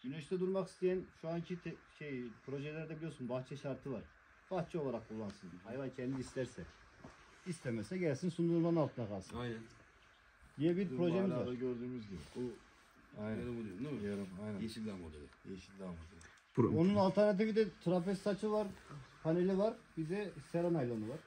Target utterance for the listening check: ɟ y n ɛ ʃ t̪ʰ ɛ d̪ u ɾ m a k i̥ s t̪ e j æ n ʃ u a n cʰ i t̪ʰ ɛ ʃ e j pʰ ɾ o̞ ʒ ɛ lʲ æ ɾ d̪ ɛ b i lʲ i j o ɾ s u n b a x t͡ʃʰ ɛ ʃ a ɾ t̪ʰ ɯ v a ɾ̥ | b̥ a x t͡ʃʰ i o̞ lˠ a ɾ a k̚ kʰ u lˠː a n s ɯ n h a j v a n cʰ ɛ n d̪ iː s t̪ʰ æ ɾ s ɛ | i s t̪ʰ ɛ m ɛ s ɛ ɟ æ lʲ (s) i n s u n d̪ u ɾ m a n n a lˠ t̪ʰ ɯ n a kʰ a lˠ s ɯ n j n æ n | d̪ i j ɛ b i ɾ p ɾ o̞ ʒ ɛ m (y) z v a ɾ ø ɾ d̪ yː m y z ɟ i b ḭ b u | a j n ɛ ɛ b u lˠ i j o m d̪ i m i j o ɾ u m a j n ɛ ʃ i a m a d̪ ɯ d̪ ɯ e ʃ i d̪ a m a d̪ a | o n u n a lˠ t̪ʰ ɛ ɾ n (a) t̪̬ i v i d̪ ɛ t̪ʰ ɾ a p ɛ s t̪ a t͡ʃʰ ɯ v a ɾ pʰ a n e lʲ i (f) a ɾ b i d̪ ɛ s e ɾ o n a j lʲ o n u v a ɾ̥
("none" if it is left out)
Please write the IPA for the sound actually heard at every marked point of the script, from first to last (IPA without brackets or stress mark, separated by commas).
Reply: s, i, a, v